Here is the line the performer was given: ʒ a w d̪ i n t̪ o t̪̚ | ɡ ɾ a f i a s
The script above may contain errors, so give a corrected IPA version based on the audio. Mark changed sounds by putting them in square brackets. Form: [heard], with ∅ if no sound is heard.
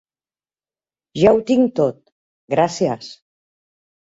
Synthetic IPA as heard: ʒ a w [t̪] i [ŋ] t̪ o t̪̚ | ɡ ɾ a [s] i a s